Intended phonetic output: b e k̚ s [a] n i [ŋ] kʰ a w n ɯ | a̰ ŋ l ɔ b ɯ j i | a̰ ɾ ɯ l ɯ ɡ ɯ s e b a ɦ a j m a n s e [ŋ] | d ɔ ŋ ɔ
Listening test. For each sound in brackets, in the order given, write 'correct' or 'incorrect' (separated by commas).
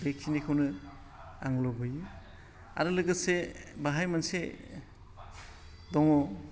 incorrect, incorrect, incorrect